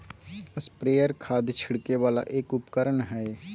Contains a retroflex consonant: yes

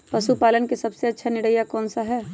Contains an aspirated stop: no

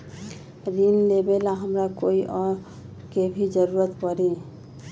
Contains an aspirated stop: no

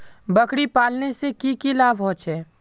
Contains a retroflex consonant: yes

